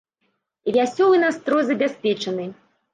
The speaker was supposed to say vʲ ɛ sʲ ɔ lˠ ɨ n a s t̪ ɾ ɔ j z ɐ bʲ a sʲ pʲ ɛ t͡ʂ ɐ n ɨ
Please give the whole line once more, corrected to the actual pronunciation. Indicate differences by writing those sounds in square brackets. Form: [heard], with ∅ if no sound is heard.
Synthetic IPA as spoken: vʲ [a] sʲ ɔ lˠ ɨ n a s t̪ ɾ ɔ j z ɐ bʲ a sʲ pʲ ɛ t͡ʂ ɐ n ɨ